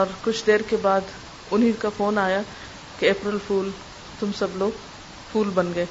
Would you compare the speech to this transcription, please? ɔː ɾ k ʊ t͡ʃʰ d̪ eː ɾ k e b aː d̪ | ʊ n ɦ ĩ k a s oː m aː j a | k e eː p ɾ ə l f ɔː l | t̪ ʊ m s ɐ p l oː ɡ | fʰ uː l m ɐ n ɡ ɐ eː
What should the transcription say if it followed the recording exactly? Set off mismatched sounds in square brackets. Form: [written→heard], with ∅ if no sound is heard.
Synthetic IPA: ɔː ɾ k ʊ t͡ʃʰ d̪ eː ɾ k e b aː d̪ | ʊ n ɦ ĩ k a [s→f] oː [m→n] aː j a | k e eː p ɾ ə l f [ɔː→uː] l | t̪ ʊ m s ɐ [p→b] l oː ɡ | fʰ uː l [m→b] ɐ n ɡ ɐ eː